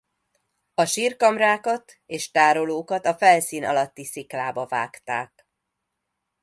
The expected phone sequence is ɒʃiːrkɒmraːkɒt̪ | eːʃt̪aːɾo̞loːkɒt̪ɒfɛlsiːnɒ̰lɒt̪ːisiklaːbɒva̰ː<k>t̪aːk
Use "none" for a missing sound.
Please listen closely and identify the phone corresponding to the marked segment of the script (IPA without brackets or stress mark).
k